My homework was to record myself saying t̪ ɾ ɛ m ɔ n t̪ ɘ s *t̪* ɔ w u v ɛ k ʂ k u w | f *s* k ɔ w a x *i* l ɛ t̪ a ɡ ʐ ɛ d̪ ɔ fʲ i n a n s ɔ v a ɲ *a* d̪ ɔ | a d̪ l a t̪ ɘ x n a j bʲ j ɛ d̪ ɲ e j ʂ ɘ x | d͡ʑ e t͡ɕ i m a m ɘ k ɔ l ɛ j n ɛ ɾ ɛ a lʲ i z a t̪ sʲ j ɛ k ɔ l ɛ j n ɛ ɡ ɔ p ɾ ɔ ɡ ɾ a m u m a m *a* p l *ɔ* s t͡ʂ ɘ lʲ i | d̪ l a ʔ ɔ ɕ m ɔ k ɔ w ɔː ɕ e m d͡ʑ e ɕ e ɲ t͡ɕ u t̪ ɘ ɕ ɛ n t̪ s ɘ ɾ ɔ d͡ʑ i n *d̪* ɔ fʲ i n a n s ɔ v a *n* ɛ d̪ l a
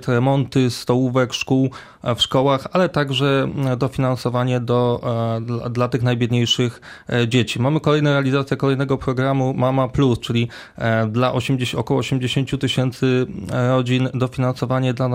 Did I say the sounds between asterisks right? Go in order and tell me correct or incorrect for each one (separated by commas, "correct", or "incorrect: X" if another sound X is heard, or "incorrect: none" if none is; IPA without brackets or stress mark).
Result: correct, incorrect: ʂ, incorrect: a, incorrect: ɛ, correct, incorrect: u, correct, incorrect: ɲ